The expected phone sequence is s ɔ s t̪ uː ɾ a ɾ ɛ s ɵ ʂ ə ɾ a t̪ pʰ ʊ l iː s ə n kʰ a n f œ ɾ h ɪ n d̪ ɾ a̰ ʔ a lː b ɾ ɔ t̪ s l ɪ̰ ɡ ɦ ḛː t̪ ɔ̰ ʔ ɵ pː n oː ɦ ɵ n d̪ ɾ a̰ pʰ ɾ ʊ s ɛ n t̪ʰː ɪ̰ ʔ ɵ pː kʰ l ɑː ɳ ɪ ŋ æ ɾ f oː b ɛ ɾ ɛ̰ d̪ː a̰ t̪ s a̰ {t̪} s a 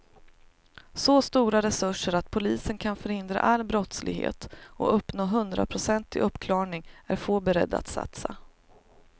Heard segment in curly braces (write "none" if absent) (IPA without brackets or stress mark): t̪